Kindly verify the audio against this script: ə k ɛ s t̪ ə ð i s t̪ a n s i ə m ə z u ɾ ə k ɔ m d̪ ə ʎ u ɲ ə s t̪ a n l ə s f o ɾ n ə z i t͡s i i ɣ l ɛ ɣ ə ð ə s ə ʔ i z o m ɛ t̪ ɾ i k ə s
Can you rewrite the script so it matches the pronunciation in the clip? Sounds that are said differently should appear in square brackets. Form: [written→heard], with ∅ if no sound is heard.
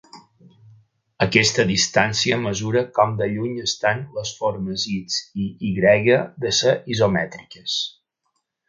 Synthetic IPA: ə k ɛ s t̪ ə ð i s t̪ a n s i ə m ə z u ɾ ə k ɔ m d̪ ə ʎ u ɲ ə s t̪ a n l ə s f o ɾ [n→m] ə z i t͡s i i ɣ [l→ɾ] ɛ ɣ ə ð ə s ə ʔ i z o m ɛ t̪ ɾ i k ə s